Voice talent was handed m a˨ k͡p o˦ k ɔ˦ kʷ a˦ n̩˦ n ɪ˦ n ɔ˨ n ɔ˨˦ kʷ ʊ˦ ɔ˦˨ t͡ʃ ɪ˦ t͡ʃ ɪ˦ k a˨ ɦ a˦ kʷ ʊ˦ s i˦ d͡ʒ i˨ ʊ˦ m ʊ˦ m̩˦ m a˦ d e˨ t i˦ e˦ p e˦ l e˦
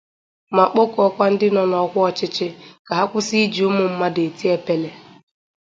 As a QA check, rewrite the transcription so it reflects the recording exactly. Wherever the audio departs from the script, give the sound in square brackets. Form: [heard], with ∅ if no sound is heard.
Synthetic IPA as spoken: m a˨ k͡p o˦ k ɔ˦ kʷ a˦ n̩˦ [d] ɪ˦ n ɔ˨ n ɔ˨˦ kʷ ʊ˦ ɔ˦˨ t͡ʃ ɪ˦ t͡ʃ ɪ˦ k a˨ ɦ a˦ kʷ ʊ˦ s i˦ d͡ʒ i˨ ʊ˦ m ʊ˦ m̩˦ m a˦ d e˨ t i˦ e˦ p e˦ l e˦